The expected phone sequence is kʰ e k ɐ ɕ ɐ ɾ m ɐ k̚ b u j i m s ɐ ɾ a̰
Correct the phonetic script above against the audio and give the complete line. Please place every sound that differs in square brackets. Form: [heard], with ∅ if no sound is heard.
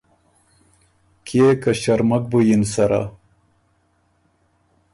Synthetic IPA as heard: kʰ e k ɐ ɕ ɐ ɾ m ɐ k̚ b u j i [n] s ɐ ɾ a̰